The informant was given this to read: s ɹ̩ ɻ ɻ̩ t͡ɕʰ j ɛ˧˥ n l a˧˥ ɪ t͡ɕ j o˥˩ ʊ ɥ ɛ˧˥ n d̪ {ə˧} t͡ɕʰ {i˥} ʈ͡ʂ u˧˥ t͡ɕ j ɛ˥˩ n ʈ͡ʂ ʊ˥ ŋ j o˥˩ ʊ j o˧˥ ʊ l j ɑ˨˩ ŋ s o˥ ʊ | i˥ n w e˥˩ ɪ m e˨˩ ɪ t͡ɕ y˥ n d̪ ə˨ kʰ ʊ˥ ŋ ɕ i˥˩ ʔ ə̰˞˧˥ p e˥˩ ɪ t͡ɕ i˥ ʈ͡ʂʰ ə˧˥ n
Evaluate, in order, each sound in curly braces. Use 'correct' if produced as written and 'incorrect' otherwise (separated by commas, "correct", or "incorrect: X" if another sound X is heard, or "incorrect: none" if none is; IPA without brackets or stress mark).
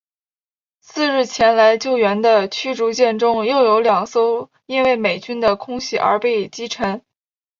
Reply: correct, incorrect: y˥